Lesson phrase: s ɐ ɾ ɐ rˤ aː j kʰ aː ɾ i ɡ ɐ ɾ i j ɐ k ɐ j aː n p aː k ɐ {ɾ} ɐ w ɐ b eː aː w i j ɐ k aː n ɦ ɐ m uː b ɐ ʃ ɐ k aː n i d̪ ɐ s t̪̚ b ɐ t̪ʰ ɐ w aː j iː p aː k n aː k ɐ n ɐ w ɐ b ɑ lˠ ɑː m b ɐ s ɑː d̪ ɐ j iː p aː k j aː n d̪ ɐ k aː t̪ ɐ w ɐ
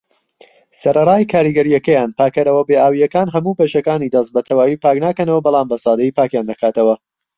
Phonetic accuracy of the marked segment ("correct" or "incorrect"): correct